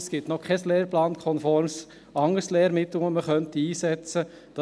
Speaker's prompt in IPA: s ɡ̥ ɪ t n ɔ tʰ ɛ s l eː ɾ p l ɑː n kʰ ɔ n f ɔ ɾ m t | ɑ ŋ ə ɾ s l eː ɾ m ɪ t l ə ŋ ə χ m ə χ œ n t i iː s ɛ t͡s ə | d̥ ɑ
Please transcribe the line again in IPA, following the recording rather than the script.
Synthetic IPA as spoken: s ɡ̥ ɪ t n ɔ kʰ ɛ s l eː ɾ p l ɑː n kʰ ɔ n f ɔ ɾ m s | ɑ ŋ ə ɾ s l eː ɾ m ɪ t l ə ŋ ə m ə χ œ n t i iː s ɛ t͡s ə | d̥ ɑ